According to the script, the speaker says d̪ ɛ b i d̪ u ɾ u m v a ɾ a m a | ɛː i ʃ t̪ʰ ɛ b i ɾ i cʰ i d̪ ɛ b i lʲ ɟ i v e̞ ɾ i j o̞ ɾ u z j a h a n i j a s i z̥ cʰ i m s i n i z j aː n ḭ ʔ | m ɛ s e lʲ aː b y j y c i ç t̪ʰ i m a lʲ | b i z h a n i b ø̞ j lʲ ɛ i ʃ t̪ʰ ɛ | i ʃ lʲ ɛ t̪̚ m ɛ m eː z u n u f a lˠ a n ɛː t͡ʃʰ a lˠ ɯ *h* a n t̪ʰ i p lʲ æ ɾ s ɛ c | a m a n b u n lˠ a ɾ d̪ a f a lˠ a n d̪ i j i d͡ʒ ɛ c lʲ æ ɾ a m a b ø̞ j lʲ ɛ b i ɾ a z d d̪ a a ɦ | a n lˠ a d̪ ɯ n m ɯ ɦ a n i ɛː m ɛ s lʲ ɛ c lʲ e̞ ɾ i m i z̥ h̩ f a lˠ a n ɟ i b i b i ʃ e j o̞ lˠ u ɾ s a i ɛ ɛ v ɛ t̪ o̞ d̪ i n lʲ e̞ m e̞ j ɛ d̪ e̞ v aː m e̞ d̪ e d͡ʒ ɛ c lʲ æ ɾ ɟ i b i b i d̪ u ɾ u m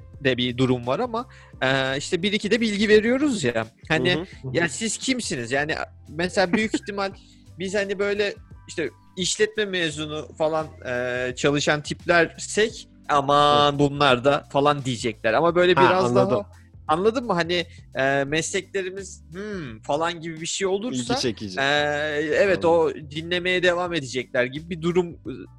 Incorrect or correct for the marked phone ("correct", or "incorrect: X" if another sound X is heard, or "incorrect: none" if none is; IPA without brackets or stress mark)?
incorrect: ʃ